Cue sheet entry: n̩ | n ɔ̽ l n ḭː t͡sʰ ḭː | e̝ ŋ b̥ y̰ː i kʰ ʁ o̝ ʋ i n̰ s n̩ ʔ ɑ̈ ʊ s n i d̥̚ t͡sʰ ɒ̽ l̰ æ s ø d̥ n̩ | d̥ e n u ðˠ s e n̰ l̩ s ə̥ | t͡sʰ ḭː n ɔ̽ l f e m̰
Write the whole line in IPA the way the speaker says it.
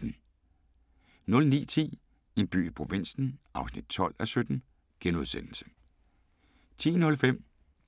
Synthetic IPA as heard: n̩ | n ɔ̽ l n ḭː t͡sʰ ḭː | e̝ n b̥ y̰ː i pʰ ʁ o̝ ʋ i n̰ s n̩ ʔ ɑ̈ ʊ s n i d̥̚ t͡sʰ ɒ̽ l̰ æ s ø d̥ n̩ | ɡ̥ e n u ðˠ s e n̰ l̩ s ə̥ | t͡sʰ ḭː n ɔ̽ l f e m̰